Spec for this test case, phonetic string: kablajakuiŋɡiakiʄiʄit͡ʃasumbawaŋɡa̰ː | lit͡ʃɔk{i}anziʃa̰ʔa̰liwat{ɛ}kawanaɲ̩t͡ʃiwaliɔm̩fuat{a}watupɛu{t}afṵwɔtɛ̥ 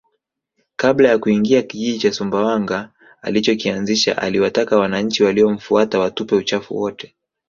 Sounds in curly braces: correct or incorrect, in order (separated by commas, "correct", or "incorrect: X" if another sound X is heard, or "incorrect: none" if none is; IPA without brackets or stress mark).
correct, incorrect: a, correct, incorrect: t͡ʃ